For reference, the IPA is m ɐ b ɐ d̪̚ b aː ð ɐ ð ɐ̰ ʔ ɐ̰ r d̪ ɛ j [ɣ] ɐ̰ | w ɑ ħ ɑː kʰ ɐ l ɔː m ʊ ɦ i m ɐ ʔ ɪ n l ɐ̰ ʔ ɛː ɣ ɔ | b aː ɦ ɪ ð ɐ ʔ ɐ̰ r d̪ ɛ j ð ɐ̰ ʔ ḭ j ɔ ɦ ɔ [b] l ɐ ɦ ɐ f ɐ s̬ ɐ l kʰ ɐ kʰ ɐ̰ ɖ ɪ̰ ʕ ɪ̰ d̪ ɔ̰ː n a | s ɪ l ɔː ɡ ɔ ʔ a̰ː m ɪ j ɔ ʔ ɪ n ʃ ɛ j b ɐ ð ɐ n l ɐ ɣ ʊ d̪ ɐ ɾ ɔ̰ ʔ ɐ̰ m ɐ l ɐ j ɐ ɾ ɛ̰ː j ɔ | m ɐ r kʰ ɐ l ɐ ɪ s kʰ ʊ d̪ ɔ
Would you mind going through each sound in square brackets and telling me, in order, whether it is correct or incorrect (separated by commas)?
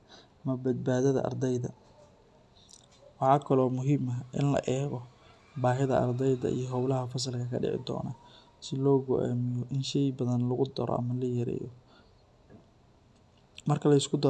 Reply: incorrect, incorrect